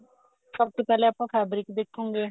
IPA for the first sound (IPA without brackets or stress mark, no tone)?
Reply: s